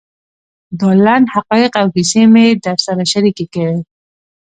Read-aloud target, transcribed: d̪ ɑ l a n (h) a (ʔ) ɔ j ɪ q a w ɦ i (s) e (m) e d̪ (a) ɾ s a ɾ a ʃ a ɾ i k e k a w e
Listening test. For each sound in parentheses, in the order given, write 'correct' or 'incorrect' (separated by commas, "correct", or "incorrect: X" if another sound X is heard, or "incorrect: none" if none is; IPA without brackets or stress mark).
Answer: correct, incorrect: q, correct, correct, correct